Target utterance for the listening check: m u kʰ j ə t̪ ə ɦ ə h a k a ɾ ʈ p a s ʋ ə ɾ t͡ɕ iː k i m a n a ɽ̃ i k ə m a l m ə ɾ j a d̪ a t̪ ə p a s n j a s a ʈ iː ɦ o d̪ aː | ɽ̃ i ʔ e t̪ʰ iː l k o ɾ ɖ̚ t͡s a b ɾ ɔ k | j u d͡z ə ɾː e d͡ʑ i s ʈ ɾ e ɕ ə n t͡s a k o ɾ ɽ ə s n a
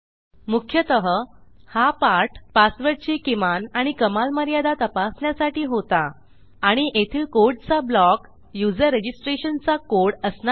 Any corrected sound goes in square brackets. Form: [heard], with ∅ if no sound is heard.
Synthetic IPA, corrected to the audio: m u kʰ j ə t̪ ə ɦ ə h a [p] a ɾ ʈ p a s ʋ ə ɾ t͡ɕ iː k i m a n a ɽ̃ i k ə m a l m ə ɾ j a d̪ a t̪ ə p a s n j a s a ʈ iː ɦ o [t̪] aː | ɽ̃ i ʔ e t̪ʰ iː l k o ɾ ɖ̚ t͡s a b [l] ɔ k | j u d͡z ə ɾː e d͡ʑ i s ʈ ɾ e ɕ ə n t͡s a k o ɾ ɽ ə s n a

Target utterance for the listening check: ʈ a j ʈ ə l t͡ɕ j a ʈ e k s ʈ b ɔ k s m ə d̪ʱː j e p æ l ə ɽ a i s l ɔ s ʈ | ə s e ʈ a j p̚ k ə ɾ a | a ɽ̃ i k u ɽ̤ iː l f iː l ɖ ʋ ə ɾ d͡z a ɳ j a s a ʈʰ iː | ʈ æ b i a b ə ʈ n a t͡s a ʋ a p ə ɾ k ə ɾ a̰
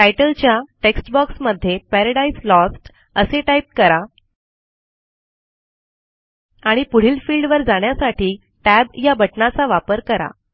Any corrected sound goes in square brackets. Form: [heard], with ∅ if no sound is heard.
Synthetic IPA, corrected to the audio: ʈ a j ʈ ə l t͡ɕ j a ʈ e k s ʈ b ɔ k s m ə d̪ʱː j e p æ [ɾ] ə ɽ a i s l ɔ s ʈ | ə s e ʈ a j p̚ k ə ɾ a | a ɽ̃ i [p] u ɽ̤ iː l f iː l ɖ ʋ ə ɾ d͡z a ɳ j a s a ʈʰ iː | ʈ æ b [j] a b ə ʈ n a t͡s a ʋ a p ə ɾ k ə ɾ a̰

